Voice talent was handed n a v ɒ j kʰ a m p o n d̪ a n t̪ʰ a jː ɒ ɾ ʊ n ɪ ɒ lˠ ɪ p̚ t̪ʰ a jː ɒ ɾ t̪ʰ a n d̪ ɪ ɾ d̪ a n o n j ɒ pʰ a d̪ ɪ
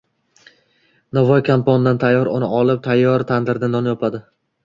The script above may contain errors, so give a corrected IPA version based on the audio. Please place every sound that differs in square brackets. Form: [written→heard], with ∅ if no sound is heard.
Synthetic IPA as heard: n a v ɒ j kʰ a m p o n d̪ a n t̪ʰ a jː ɒ ɾ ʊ n ɪ ɒ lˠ ɪ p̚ t̪ʰ a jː ɒ ɾ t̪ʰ a n d̪ ɪ ɾ d̪ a n [o→ɒ] n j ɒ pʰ a d̪ ɪ